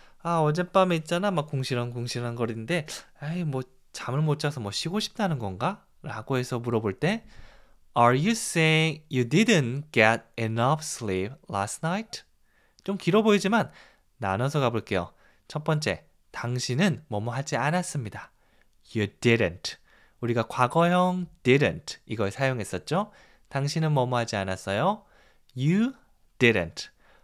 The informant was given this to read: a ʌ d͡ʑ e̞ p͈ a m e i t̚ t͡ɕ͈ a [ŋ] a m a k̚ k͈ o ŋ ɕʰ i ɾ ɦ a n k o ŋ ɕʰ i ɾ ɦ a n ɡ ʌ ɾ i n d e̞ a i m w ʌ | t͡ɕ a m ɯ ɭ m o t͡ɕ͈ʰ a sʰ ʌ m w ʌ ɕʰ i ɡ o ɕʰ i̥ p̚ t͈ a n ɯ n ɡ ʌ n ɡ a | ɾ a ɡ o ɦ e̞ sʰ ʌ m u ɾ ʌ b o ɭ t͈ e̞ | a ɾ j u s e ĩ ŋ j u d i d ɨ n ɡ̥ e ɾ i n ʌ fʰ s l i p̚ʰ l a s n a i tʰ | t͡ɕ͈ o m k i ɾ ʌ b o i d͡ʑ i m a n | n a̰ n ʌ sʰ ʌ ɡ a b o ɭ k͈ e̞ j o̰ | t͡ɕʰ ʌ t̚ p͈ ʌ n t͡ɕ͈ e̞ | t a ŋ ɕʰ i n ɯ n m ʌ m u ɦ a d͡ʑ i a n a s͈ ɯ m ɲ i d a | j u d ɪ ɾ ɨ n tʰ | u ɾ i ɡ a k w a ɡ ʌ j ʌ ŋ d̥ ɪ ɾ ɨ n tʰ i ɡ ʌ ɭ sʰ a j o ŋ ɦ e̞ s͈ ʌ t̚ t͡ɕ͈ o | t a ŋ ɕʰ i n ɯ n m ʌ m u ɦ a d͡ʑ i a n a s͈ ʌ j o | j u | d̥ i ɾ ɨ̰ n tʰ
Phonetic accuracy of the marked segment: incorrect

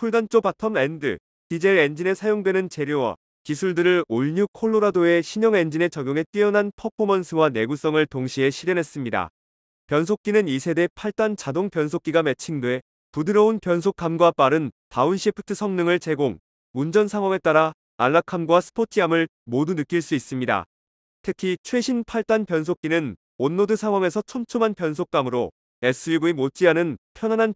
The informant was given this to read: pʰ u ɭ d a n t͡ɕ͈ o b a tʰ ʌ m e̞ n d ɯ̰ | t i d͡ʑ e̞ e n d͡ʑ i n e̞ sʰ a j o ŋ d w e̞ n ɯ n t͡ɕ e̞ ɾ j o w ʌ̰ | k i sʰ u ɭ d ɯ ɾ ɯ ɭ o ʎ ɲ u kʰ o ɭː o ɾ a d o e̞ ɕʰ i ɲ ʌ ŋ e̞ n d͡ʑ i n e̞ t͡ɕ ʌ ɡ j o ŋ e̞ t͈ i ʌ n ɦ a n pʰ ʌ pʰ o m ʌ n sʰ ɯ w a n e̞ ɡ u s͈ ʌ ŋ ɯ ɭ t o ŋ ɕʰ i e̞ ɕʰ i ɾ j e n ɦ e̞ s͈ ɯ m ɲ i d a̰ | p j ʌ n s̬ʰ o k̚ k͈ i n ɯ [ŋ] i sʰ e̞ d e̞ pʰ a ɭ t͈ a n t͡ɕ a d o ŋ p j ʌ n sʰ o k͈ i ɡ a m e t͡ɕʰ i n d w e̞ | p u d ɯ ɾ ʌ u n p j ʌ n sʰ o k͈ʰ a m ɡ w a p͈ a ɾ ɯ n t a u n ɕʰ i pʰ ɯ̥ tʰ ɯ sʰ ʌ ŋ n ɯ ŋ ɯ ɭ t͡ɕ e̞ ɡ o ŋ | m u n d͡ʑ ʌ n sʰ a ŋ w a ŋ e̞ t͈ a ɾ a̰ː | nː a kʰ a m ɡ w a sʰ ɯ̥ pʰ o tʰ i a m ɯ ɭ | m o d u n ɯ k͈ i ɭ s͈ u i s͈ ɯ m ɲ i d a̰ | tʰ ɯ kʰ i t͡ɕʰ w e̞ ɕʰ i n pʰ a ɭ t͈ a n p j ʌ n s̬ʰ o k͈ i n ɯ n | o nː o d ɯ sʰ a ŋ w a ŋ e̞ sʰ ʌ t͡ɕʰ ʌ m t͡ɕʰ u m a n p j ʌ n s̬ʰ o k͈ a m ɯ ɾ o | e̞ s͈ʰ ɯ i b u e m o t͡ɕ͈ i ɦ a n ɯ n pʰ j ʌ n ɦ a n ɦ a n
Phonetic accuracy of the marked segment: incorrect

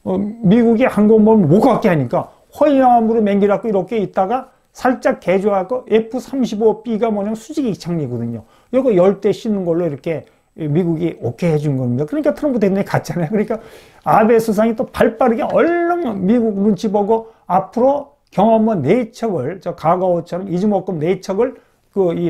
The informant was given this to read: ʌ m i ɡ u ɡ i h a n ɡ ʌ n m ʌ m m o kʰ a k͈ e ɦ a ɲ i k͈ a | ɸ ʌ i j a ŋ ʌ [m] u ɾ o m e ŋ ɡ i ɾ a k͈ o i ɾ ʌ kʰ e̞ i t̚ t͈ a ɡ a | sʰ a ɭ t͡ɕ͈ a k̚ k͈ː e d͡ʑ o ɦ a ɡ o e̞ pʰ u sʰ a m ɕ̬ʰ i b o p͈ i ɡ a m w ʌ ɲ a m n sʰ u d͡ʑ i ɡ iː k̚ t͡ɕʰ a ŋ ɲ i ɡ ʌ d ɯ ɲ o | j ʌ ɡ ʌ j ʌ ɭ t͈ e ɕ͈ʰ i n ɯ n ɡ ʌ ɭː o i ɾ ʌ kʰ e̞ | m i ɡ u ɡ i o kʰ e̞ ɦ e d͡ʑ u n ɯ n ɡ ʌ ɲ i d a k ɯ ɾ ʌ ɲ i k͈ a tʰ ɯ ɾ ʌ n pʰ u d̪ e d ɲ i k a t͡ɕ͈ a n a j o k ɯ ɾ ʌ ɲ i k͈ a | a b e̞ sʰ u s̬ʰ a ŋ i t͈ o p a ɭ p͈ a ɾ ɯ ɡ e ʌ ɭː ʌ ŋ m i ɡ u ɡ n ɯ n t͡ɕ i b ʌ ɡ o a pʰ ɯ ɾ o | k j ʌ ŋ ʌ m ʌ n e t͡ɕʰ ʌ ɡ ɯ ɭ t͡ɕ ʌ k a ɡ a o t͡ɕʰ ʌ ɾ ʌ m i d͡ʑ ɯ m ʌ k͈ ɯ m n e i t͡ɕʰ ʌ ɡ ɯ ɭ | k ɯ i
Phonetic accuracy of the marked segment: correct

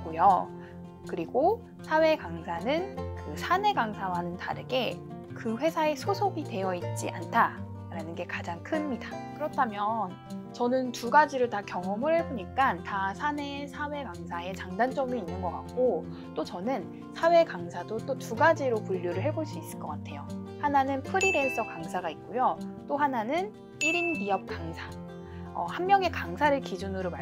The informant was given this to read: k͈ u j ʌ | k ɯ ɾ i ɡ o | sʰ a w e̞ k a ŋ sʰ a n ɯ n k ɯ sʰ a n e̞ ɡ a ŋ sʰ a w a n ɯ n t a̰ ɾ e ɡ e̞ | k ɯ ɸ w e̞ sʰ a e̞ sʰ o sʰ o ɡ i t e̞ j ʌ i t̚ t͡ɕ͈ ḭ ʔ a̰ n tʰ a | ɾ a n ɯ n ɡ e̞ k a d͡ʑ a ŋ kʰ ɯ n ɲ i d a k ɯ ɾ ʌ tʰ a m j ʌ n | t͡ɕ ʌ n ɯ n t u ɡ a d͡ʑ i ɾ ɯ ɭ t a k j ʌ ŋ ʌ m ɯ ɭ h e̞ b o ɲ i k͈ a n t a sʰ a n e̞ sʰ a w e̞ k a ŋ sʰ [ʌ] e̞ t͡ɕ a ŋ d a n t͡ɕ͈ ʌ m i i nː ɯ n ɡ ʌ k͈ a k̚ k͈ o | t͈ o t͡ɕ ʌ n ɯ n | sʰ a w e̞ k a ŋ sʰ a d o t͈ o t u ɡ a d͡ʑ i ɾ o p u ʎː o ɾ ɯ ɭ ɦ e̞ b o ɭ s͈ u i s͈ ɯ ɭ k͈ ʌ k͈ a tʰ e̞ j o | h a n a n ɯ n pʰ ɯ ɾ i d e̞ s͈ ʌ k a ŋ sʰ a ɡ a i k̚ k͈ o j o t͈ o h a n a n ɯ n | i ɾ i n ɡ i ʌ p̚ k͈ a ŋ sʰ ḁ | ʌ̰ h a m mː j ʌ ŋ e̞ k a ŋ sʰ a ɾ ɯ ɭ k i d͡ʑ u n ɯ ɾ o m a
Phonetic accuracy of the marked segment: incorrect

